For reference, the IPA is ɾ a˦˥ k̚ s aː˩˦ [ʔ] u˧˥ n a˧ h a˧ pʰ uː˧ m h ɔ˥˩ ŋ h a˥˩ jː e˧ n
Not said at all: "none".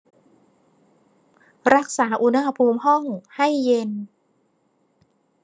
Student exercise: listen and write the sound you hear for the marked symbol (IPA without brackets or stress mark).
ʔ